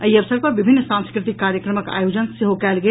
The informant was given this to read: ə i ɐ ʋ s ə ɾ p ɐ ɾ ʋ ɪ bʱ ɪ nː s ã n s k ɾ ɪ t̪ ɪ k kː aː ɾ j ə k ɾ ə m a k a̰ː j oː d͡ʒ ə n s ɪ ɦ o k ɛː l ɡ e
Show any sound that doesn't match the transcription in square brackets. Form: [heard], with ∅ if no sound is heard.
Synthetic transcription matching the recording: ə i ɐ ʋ s ə ɾ p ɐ ɾ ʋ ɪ bʱ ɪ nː s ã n s k ɾ ɪ t̪ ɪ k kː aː ɾ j ə k ɾ ə m [ə] k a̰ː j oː d͡ʒ ə n s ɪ ɦ o k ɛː l ɡ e